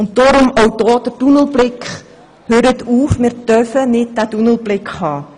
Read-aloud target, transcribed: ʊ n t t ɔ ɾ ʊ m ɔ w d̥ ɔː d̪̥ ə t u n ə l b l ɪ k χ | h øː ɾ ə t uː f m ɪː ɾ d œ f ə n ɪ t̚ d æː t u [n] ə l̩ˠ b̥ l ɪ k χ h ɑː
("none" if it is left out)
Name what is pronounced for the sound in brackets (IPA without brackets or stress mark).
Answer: n